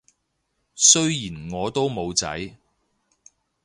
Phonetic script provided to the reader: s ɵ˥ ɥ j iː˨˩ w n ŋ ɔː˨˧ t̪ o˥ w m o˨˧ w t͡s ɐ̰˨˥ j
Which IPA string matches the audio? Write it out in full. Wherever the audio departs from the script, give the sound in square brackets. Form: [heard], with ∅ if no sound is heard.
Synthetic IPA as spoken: s ɵ˥ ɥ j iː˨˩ [∅] n ŋ ɔː˨˧ t̪ o˥ w m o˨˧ w t͡s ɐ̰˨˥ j